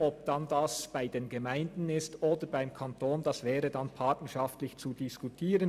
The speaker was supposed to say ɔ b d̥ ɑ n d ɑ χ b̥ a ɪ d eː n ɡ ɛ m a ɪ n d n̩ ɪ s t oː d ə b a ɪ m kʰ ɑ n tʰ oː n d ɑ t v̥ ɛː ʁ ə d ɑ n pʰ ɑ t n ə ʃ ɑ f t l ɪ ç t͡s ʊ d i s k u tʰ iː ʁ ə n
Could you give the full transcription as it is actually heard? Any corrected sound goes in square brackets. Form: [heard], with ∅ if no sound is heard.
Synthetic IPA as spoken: ɔ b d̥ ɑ n d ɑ [s] b̥ a ɪ d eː n ɡ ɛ m a ɪ n d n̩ ɪ s t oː d ə b a ɪ m kʰ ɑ n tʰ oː n d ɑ [s] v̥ ɛː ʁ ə d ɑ n pʰ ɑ t n ə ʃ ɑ f t l ɪ ç t͡s [u] d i s k u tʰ iː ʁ ə n